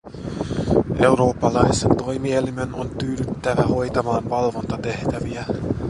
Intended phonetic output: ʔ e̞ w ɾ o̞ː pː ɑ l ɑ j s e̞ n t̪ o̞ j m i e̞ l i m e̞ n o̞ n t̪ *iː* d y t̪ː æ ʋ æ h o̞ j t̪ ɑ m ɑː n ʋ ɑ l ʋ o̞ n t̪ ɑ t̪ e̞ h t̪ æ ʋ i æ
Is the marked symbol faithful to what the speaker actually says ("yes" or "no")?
no